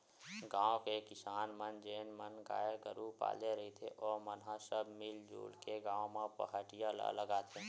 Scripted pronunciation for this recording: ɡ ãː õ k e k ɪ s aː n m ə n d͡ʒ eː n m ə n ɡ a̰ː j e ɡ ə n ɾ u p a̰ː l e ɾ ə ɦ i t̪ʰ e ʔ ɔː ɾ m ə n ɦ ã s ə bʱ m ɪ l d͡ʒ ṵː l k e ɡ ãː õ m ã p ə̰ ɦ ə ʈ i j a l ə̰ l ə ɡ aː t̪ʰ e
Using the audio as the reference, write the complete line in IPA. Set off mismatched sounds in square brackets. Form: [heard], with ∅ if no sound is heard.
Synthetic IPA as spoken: ɡ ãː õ k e k ɪ s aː n m ə n d͡ʒ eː n m ə n ɡ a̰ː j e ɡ ə [∅] ɾ u p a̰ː l e ɾ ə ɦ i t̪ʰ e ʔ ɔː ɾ m ə n ɦ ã s ə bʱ m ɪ l d͡ʒ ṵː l k e ɡ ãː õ m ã p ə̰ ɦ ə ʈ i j a l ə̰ l ə ɡ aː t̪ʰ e